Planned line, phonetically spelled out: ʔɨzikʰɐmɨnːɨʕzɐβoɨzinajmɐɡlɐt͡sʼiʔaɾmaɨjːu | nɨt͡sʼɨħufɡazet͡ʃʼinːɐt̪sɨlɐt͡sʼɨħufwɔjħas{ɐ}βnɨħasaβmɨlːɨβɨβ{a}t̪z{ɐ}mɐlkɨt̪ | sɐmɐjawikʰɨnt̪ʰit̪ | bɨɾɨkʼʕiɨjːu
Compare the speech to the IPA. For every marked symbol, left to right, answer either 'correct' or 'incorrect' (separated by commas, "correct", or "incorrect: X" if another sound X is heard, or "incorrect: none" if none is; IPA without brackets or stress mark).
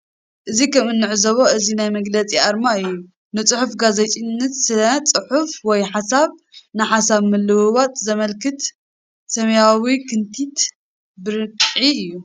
incorrect: a, correct, correct